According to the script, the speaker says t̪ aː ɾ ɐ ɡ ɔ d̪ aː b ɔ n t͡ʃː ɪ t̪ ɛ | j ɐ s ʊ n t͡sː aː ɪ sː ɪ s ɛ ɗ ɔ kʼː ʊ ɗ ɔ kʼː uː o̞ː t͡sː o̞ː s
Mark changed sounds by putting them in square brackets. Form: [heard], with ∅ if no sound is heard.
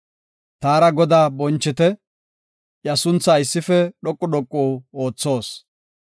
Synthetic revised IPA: t̪ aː ɾ ɐ ɡ ɔ d̪ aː b ɔ n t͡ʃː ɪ t̪ ɛ | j ɐ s ʊ n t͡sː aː ɪ sː ɪ [f] ɛ ɗ ɔ kʼː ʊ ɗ ɔ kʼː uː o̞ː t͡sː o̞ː s